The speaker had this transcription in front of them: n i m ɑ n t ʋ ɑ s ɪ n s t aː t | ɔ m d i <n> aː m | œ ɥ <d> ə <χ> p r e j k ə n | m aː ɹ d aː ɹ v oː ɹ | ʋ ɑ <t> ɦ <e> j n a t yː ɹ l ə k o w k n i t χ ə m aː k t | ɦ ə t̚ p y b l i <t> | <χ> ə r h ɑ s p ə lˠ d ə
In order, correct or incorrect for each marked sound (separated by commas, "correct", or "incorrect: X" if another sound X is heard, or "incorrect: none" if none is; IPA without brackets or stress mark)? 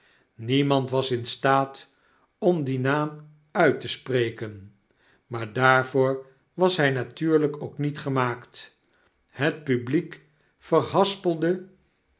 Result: correct, incorrect: t, incorrect: s, incorrect: s, incorrect: ɛ, incorrect: k, incorrect: f